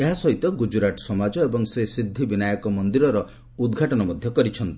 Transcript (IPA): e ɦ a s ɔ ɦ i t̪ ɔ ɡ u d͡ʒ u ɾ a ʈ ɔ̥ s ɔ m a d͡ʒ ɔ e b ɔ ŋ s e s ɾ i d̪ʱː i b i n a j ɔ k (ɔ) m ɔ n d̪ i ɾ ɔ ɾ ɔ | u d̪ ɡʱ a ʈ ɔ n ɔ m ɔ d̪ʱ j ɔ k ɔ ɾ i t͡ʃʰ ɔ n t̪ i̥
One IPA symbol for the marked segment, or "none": ɔ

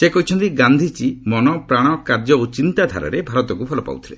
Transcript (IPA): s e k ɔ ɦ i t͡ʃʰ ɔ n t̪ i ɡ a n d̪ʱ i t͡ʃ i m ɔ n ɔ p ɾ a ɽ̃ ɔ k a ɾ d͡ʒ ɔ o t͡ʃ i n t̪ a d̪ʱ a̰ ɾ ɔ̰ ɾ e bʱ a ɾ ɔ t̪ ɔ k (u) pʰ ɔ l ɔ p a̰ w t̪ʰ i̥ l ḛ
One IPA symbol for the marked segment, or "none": u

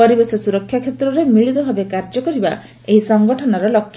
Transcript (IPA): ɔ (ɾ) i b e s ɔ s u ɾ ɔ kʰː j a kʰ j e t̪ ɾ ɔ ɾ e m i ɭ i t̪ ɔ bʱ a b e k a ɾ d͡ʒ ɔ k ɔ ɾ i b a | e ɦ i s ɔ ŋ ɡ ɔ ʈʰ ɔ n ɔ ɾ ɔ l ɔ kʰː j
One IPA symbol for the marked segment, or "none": ɾ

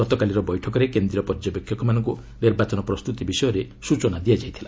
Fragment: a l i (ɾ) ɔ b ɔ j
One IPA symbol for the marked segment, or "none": ɾ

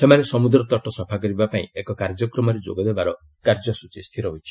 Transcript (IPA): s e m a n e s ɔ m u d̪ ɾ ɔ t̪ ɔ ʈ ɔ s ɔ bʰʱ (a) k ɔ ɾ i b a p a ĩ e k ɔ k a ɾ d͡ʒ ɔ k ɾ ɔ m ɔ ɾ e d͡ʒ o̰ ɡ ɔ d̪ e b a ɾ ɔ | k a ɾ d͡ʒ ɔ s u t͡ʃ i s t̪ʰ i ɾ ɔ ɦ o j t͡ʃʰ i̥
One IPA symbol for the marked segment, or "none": a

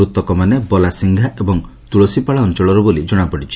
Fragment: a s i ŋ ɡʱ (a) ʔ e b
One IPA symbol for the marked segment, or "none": a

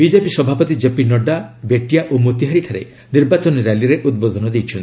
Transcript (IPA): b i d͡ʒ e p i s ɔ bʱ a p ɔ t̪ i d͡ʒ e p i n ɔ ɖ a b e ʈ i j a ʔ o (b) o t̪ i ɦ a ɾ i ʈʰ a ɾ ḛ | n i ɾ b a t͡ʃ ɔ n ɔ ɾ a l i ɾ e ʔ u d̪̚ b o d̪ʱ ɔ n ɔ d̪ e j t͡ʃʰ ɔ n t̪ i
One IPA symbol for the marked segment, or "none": m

